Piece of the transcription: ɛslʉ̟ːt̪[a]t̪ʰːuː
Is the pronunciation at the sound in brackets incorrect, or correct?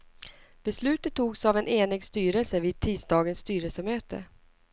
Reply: incorrect